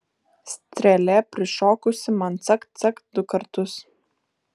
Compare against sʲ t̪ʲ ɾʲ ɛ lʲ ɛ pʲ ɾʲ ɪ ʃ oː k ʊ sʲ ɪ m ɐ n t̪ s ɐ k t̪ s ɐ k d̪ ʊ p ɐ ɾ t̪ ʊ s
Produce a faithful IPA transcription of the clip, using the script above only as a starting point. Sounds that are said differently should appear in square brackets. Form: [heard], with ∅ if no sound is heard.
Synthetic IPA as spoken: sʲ t̪ʲ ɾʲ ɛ lʲ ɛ pʲ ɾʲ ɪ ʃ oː k ʊ sʲ ɪ m ɐ n t̪ s ɐ k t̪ s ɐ k d̪ ʊ [k] ɐ ɾ t̪ ʊ s